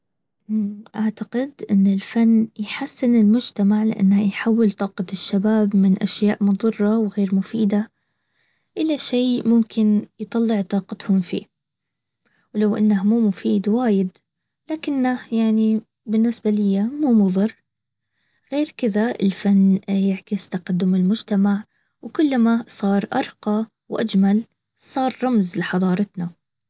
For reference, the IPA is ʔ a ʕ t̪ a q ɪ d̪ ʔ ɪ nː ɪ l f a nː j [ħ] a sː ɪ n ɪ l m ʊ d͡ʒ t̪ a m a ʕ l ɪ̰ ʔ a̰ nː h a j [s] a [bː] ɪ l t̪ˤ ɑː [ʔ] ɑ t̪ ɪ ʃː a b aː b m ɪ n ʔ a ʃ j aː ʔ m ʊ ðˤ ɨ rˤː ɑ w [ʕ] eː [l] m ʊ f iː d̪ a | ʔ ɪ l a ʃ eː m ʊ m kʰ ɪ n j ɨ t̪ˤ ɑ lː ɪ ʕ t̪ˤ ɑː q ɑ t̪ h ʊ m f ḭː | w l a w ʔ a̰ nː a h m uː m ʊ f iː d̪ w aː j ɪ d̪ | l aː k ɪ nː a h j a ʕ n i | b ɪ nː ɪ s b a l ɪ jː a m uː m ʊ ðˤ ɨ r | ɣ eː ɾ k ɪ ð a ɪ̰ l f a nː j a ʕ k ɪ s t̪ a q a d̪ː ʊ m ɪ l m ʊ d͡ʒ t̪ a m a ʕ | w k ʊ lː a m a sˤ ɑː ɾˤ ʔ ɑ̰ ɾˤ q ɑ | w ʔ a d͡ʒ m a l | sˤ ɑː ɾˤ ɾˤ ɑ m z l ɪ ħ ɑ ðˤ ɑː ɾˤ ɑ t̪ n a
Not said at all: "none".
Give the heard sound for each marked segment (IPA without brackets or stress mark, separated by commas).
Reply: ħ, ħ, wː, q, ɣ, ɾ